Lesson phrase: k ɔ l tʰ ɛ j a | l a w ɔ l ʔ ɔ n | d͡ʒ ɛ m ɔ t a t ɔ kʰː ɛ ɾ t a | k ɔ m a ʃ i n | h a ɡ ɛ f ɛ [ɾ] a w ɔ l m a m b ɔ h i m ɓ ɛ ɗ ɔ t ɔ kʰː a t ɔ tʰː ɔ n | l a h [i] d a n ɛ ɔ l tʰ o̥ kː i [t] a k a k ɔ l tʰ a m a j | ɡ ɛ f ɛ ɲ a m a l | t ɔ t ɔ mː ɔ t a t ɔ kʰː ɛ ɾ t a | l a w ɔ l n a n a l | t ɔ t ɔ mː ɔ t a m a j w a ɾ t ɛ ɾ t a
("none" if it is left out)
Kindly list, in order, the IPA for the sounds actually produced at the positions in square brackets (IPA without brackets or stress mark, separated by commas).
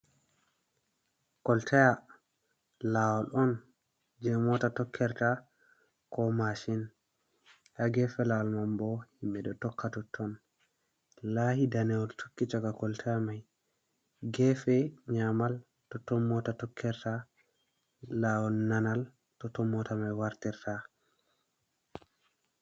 l, i, t͡ʃ